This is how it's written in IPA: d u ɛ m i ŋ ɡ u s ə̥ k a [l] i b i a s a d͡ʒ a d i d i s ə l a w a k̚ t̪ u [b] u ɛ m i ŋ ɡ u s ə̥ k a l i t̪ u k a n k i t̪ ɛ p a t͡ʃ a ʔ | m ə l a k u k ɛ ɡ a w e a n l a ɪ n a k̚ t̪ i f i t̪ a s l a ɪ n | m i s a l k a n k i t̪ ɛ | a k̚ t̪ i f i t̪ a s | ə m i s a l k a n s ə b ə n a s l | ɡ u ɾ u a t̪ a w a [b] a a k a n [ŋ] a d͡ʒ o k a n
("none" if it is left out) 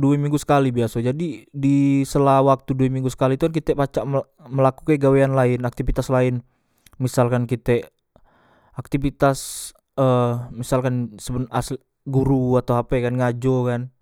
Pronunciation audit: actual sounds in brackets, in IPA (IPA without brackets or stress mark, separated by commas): l, d, p, ŋ